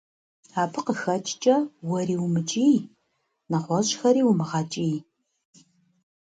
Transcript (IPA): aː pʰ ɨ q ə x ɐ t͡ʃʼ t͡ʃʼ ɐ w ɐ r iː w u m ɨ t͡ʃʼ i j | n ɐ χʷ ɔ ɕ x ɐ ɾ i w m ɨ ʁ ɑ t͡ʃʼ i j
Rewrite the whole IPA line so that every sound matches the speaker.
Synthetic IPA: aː pʰ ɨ q ə x ɐ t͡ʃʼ t͡ʃʼ ɐ w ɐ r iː w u m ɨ t͡ʃʼ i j | n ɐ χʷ ɔ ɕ x ɐ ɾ iː w m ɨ ʁ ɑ t͡ʃʼ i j